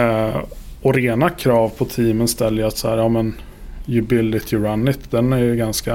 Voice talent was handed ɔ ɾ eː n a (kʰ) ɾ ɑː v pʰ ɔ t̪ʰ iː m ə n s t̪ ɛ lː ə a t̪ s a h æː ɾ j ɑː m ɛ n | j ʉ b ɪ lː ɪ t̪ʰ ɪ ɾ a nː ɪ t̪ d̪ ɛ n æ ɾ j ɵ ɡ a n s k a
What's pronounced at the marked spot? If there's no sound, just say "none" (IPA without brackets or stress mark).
kʰ